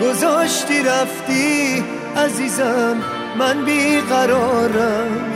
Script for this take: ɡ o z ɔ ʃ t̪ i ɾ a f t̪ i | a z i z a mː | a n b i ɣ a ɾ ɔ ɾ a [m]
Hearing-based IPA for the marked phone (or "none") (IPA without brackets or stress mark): m